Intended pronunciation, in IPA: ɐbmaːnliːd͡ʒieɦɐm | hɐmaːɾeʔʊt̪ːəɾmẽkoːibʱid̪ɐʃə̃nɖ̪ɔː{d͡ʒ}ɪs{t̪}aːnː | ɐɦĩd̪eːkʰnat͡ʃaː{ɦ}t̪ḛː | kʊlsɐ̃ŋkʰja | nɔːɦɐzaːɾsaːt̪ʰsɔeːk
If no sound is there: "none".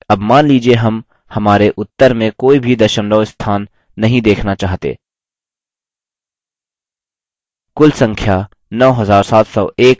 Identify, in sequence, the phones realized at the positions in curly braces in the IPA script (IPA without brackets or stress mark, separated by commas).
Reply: none, t̪ʰ, ɦ